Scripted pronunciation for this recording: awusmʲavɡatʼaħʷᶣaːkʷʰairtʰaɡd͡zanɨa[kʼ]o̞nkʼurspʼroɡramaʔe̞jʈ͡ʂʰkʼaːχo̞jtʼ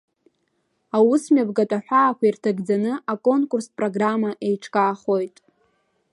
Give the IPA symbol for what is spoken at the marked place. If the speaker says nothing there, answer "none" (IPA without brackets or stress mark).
kʼ